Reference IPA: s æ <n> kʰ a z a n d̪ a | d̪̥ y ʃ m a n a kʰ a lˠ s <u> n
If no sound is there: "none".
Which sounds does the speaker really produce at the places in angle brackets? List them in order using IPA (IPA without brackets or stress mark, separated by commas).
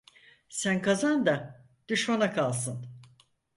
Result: n, ɯ